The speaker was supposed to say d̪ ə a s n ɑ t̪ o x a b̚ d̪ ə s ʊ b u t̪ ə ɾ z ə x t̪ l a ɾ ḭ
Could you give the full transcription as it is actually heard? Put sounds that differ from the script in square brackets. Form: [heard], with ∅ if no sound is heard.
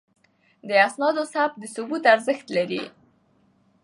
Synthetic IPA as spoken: d̪ ə a s n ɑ [d̪] o [s] a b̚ d̪ ə s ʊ b u t̪ [a] ɾ z ə x t̪ l a ɾ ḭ